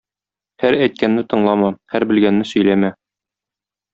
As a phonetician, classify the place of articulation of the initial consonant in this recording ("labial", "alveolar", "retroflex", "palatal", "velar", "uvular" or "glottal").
glottal